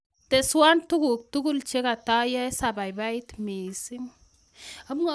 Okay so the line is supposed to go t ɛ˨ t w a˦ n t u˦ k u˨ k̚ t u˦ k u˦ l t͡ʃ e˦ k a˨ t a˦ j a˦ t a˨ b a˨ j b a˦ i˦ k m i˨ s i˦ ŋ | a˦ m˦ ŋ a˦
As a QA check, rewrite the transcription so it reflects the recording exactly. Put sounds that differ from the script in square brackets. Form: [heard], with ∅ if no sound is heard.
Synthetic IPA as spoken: t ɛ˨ [s] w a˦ n t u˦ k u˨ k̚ t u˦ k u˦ l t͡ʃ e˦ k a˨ t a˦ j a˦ [s] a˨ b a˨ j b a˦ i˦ [t] m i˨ s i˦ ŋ | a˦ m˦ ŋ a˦